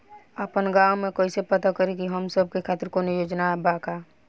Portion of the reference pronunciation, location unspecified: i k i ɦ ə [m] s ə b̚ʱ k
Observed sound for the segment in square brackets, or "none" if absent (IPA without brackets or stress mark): m